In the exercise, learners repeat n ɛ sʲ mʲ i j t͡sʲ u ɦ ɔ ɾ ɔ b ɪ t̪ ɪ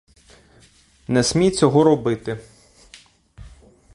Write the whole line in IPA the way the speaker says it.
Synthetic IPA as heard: n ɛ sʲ mʲ i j t͡sʲ ɔ ɦ ɔ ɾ ɔ b ɪ t̪ ɪ